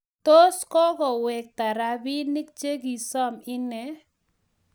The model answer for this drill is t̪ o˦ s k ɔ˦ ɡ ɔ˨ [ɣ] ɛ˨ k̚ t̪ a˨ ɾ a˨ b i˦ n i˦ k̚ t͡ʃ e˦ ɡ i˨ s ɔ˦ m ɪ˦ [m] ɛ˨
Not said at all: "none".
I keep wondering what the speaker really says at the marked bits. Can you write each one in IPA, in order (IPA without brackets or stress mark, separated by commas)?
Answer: w, n